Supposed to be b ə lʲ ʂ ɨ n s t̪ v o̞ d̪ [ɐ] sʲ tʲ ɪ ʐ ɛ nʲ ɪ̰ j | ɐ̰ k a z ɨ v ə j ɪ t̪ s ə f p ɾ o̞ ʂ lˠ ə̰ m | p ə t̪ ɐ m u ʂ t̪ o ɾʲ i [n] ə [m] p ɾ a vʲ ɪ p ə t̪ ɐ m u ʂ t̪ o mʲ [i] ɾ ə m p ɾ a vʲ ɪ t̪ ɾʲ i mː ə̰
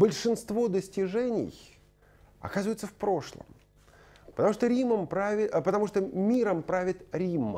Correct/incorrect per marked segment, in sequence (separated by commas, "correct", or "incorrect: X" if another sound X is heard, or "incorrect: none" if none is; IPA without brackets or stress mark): incorrect: ə, incorrect: m, correct, correct